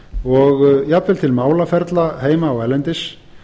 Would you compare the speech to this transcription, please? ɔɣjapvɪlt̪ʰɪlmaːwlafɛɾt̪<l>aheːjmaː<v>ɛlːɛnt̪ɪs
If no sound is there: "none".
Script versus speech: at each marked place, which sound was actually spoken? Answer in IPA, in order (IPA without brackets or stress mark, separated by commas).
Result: l, w